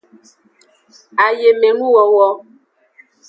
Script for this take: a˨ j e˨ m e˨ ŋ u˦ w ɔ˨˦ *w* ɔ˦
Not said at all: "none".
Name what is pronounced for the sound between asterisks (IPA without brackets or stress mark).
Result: w